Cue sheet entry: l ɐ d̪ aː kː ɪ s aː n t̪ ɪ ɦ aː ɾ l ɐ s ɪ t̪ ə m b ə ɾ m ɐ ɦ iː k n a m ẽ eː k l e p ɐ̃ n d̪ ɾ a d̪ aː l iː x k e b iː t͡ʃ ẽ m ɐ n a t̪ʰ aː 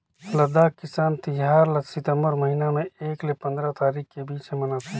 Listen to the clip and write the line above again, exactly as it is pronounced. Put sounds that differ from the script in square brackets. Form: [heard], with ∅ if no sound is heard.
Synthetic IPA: l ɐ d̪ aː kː ɪ s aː n t̪ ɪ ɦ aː ɾ l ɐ s ɪ t̪ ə m b ə ɾ m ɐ ɦ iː [∅] n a m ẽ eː k l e p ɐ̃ n d̪ ɾ a [t̪] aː [ɾ] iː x k e b iː t͡ʃ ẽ m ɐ n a t̪ʰ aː